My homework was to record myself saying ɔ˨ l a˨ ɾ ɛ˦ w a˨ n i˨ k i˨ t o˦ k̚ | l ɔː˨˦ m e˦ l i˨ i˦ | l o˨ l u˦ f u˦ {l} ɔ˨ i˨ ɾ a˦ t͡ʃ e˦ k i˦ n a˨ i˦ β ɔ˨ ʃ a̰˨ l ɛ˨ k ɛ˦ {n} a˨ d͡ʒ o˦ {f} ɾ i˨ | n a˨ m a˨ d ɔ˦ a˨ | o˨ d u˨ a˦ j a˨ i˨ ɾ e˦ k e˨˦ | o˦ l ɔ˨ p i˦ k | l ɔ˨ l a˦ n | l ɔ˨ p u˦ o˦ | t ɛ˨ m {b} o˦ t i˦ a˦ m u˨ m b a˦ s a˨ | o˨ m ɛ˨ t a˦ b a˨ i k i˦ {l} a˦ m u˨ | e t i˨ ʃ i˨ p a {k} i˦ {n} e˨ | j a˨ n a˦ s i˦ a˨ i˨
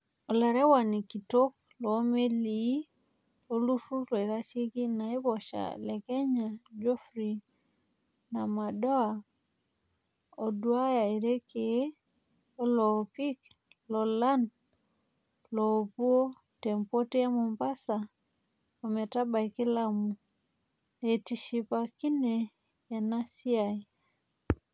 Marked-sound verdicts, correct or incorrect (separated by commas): correct, incorrect, correct, incorrect, correct, correct, correct